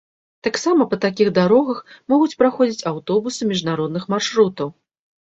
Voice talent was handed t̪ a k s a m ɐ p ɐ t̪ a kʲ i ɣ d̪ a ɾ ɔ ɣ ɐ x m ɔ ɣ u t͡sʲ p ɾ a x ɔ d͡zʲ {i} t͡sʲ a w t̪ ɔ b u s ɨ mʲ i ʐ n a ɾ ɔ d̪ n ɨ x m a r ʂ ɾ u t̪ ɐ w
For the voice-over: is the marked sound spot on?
yes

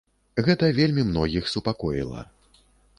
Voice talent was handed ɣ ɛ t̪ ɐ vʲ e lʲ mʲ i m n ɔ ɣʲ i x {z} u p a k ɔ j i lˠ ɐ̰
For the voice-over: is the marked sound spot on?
no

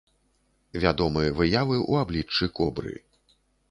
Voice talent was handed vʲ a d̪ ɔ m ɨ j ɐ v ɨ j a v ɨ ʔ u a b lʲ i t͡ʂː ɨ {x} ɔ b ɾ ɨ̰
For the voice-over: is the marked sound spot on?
no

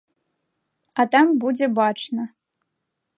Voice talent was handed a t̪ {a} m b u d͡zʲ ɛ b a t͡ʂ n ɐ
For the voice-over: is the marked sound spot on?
yes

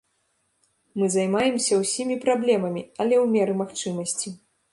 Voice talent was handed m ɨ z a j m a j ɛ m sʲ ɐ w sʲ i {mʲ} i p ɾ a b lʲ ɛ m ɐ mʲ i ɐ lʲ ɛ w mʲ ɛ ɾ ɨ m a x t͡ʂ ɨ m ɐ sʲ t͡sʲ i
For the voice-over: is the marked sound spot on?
yes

